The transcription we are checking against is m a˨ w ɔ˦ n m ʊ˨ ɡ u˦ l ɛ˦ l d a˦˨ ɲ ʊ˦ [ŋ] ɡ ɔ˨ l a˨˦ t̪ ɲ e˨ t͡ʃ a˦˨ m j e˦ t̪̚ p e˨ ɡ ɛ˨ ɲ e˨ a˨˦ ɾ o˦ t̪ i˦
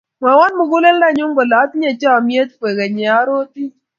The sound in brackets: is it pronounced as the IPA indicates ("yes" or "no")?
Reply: yes